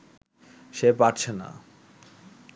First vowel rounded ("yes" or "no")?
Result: no